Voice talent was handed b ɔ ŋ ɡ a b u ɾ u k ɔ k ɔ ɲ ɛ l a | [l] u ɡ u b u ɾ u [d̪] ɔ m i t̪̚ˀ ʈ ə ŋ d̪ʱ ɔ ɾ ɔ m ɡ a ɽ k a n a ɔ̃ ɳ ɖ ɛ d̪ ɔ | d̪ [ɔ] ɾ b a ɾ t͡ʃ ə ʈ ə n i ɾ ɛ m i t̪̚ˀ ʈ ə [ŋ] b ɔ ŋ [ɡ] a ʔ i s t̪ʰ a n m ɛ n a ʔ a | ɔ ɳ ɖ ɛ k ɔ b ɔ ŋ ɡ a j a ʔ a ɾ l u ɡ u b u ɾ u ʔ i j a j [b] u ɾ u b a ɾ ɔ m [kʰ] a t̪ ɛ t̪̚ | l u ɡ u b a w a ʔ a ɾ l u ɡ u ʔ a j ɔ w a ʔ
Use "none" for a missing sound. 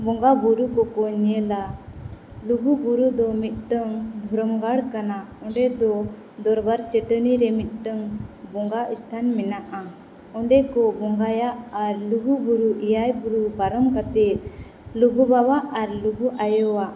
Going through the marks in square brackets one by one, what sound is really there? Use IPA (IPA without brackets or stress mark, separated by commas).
l, d̪, ɔ, ŋ, ɡ, b, k